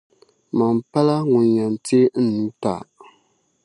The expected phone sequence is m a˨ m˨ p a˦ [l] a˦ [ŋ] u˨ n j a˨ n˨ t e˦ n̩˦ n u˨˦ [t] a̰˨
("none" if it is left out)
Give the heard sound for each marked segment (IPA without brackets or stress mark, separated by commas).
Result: l, ŋ, t